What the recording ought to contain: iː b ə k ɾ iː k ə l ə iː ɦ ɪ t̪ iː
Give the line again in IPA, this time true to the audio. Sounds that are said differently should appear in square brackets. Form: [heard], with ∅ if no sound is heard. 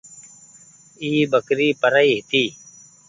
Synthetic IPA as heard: iː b ə k ɾ iː [p] ə [ɾ] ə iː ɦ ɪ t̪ iː

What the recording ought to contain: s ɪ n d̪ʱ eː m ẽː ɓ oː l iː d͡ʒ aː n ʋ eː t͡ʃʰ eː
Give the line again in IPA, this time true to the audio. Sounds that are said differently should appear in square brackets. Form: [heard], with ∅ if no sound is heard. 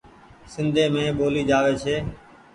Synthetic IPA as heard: s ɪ n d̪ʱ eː m ẽː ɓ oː l iː d͡ʒ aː [∅] ʋ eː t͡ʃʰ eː

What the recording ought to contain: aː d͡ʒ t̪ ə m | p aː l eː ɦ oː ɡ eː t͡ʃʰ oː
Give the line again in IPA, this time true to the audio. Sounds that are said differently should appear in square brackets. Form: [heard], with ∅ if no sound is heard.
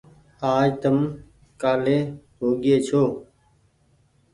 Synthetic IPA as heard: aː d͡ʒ t̪ ə m | [k] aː l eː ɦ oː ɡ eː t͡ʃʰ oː

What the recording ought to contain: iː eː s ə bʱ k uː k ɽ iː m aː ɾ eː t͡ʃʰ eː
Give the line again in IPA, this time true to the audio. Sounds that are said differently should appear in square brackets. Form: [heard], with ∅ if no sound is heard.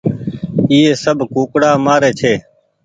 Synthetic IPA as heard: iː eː s ə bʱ k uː k ɽ [aː] m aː ɾ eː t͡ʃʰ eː

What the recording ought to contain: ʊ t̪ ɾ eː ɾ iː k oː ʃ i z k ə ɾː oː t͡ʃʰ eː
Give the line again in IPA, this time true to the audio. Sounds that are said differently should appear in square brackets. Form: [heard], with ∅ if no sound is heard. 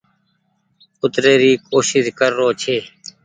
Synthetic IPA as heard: ʊ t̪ ɾ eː ɾ iː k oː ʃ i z k ə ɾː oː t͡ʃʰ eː

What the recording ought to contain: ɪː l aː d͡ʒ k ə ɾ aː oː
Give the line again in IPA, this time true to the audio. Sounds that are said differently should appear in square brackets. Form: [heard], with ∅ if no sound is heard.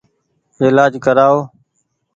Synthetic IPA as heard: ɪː l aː d͡ʒ k ə ɾ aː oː

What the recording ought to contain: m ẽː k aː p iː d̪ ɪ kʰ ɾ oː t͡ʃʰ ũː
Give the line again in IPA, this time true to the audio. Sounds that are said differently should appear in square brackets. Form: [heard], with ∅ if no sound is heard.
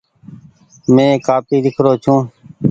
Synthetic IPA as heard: m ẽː k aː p iː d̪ ɪ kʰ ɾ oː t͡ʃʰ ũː

